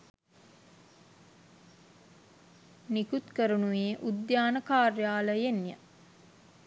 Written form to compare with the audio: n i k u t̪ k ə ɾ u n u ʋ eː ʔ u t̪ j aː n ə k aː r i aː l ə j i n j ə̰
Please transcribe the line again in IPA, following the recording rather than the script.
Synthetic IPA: n i k u t̪ k ə ɾ u n u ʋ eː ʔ u d̪ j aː n ə k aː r j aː l ə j e n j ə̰